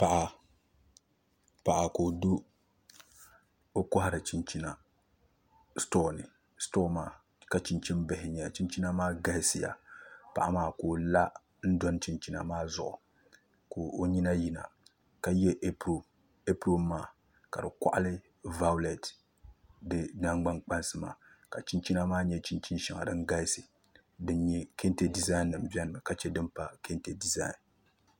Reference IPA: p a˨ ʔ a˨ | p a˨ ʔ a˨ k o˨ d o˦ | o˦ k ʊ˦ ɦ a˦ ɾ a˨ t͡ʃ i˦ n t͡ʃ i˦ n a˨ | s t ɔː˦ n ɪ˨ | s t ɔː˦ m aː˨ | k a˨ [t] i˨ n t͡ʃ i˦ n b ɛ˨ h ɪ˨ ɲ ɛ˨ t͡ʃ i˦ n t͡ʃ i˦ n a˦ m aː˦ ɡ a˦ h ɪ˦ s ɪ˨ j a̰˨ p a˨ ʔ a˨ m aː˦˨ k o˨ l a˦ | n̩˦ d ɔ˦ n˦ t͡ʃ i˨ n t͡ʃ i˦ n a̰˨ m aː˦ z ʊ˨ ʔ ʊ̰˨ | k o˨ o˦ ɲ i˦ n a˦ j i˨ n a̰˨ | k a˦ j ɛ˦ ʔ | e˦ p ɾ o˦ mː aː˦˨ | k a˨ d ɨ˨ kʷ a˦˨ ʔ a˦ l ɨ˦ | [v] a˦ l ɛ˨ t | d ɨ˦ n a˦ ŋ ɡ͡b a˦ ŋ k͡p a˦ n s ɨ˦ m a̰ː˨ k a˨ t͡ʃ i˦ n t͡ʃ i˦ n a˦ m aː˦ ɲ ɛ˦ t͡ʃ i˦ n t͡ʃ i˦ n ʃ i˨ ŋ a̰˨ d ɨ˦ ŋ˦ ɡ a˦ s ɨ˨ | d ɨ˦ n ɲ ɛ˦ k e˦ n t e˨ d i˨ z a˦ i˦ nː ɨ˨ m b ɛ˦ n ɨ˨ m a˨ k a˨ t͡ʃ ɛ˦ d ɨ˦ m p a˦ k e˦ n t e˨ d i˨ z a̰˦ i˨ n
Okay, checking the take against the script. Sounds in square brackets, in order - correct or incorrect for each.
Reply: incorrect: t͡ʃ, correct

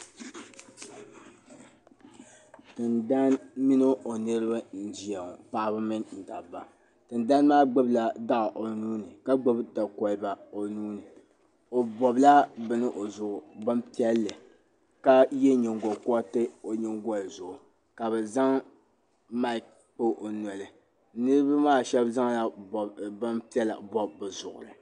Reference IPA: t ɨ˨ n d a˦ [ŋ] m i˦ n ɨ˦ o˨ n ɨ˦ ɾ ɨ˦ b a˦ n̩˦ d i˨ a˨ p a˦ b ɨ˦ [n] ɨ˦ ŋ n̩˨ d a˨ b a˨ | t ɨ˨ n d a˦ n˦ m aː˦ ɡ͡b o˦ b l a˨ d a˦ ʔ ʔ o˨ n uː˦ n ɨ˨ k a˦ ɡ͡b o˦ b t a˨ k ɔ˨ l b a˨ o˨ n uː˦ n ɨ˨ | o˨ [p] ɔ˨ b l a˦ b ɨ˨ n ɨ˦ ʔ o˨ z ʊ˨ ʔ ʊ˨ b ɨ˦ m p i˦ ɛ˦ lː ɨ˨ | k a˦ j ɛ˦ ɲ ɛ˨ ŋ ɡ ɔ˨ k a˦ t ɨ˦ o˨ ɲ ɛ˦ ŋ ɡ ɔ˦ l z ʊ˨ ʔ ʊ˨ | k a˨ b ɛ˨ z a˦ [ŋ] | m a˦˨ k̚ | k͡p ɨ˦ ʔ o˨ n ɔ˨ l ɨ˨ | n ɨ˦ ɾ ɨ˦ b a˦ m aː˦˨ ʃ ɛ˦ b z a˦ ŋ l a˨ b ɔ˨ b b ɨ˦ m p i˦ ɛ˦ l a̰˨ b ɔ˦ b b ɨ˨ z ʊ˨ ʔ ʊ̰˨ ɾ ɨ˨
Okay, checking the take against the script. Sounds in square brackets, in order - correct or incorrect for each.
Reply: incorrect: n, incorrect: m, incorrect: b, correct

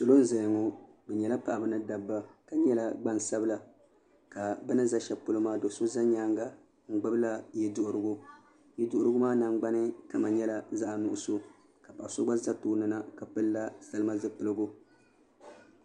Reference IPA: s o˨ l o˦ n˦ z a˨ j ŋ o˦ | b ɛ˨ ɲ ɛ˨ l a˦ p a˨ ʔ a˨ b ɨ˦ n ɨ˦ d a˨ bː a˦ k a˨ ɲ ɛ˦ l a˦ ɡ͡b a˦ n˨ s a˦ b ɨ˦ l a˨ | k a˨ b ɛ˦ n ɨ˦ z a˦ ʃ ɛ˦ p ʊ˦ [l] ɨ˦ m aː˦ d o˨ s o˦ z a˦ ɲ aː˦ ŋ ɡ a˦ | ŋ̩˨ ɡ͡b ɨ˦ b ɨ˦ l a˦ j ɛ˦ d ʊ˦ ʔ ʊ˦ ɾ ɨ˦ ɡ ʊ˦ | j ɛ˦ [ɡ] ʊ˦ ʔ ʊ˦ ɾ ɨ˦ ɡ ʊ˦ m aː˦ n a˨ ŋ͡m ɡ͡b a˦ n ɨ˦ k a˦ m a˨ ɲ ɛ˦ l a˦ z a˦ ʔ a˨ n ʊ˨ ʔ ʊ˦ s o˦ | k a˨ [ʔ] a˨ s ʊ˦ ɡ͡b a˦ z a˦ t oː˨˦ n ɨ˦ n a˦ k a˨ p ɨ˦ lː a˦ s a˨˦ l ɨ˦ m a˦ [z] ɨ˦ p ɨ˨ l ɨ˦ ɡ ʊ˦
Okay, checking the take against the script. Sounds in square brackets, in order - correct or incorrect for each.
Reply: correct, incorrect: d, incorrect: p, correct

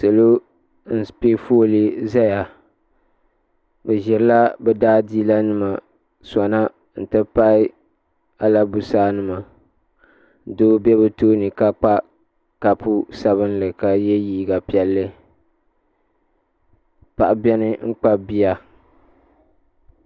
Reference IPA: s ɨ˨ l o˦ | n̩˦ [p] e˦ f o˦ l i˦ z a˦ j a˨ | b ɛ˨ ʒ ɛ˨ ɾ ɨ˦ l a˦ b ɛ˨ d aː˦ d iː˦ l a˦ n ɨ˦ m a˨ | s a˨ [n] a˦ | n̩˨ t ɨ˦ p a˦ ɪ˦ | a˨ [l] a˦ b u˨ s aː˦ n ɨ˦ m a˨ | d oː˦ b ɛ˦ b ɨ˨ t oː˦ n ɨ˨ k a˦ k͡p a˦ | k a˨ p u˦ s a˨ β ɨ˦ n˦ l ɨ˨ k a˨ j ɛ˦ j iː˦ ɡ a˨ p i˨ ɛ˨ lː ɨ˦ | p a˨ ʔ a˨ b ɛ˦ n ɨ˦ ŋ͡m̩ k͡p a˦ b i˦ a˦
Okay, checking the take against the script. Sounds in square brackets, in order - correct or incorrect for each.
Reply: correct, correct, correct

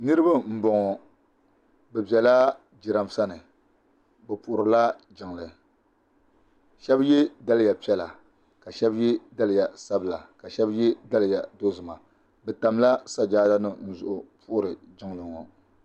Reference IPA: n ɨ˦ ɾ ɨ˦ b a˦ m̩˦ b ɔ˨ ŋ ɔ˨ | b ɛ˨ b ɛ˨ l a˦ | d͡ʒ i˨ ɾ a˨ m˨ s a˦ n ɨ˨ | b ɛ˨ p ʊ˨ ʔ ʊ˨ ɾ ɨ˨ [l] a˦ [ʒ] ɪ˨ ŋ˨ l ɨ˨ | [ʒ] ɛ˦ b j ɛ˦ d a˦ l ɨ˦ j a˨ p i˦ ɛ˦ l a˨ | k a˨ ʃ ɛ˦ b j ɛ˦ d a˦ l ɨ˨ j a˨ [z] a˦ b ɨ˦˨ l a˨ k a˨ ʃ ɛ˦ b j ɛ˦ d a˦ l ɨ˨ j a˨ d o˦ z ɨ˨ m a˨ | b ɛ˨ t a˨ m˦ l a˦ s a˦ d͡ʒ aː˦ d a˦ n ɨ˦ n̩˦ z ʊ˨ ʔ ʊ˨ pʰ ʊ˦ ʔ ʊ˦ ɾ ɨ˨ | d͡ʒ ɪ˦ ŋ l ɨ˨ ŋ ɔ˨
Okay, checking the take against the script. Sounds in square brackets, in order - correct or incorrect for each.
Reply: correct, incorrect: d͡ʒ, incorrect: ʃ, incorrect: s

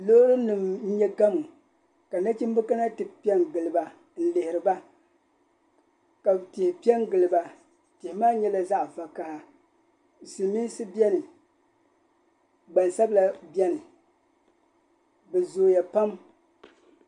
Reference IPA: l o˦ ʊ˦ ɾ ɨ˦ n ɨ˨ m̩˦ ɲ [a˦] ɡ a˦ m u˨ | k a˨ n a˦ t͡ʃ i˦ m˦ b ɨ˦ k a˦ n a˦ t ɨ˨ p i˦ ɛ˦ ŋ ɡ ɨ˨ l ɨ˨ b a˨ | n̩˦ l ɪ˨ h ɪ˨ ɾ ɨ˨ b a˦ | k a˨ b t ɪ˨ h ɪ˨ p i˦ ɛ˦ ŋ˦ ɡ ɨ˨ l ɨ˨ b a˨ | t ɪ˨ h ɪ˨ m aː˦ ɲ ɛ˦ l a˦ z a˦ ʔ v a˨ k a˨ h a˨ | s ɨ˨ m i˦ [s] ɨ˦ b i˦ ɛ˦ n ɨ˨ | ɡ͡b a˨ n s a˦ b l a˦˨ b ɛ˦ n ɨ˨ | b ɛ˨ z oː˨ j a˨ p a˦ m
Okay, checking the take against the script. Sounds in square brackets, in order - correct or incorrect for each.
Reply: incorrect: ɛ˦, correct

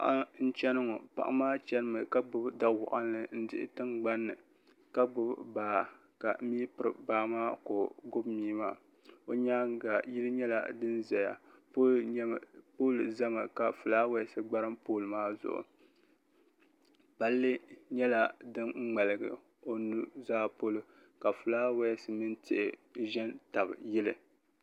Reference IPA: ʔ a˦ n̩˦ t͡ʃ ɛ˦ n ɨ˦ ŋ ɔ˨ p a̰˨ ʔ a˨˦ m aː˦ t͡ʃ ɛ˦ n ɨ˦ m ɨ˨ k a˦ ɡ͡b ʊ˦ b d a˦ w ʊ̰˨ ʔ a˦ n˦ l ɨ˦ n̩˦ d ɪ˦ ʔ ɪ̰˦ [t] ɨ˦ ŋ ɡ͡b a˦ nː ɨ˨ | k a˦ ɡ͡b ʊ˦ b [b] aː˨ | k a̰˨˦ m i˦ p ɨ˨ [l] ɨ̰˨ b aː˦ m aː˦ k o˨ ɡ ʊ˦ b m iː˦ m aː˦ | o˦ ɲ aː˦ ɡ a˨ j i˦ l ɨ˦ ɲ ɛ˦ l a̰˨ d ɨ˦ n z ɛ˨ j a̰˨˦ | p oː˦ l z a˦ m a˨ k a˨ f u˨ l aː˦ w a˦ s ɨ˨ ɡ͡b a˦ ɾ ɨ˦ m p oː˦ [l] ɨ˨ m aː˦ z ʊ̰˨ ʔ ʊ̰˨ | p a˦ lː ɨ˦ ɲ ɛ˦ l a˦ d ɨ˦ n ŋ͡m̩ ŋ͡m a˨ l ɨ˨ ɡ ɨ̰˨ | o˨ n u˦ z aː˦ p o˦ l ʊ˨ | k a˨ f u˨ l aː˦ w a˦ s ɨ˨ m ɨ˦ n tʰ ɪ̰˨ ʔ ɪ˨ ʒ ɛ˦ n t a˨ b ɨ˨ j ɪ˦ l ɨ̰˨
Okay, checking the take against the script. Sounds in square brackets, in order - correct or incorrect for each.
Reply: correct, correct, incorrect: ɾ, correct

